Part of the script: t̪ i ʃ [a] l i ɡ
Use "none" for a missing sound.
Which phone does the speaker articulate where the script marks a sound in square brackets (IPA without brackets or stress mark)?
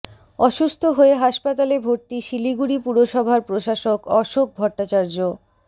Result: i